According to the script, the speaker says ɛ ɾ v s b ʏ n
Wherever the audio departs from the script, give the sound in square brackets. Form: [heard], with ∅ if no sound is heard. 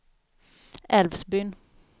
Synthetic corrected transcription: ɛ [l] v s b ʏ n